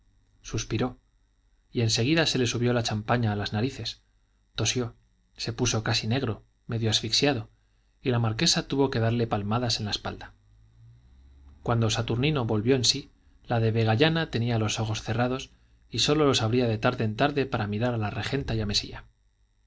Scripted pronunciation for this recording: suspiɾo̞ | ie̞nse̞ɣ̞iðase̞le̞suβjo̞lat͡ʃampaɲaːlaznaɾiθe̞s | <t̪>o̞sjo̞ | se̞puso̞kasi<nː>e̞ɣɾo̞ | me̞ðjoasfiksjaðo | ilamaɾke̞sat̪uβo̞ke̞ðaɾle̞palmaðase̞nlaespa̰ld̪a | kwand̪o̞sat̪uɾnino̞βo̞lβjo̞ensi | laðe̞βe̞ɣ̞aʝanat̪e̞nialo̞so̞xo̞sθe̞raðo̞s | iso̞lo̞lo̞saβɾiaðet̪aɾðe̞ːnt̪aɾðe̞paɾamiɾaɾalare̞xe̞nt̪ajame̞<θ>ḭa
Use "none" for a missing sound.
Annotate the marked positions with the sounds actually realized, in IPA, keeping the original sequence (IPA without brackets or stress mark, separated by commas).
t̪, n, s